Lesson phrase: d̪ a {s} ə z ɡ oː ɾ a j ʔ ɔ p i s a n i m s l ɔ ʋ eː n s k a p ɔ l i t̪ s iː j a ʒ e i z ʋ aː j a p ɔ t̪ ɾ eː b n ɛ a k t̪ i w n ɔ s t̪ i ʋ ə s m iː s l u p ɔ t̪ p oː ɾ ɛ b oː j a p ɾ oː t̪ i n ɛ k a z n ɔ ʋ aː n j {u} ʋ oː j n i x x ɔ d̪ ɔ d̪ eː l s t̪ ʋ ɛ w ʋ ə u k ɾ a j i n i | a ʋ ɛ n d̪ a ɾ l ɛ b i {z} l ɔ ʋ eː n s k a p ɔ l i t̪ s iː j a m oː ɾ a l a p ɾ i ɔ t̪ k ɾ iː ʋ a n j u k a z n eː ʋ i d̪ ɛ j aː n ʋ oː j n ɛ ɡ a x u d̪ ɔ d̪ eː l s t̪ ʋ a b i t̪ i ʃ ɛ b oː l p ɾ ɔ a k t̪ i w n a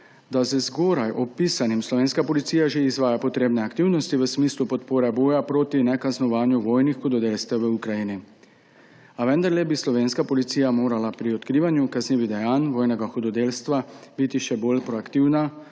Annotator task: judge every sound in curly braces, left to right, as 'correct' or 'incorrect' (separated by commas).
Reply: incorrect, correct, incorrect